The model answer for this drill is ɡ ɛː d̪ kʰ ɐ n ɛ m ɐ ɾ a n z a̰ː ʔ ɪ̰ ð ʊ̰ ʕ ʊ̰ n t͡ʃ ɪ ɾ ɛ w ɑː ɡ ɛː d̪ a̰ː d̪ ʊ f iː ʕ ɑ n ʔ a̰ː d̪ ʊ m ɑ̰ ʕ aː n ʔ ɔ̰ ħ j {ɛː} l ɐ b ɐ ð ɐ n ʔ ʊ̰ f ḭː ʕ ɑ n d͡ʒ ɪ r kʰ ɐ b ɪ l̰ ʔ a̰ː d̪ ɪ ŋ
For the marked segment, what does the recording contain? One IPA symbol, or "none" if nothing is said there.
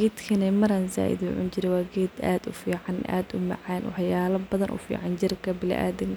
aː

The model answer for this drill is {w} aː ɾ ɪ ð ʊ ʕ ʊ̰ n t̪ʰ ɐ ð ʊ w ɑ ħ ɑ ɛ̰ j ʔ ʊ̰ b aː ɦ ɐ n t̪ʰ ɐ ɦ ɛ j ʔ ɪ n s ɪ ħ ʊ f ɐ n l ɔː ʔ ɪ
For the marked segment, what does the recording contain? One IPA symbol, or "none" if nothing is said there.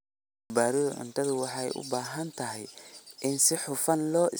b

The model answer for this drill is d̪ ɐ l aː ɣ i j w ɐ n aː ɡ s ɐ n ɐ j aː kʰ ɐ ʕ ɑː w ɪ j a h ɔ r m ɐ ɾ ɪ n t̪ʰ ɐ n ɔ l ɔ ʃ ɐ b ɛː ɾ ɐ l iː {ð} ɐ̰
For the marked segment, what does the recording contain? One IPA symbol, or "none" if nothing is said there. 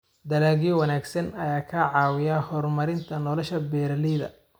ð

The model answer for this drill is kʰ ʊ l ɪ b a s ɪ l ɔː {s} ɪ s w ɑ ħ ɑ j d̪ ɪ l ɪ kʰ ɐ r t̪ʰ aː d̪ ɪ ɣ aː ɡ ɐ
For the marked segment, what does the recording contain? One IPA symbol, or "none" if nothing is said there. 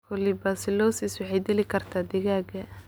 s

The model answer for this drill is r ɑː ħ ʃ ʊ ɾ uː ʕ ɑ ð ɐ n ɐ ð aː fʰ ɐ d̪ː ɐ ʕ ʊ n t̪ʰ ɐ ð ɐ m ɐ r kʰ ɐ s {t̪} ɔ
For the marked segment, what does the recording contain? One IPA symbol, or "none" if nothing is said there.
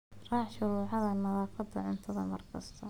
t̪ʰ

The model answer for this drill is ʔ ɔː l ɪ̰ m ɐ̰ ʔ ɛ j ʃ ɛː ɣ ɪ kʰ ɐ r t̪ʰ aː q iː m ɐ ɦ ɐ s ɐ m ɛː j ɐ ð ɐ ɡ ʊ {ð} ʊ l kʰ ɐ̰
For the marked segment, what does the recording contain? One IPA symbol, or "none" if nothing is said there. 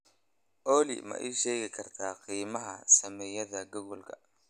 ɣ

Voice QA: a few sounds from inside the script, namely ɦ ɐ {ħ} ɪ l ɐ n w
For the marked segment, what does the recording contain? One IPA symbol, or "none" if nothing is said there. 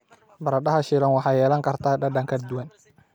ʃ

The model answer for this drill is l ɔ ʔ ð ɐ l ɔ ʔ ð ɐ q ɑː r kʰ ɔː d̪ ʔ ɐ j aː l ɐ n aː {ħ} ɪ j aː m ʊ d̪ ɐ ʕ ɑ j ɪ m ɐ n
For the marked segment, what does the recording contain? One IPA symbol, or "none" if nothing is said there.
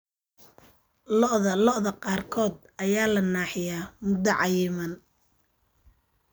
ħ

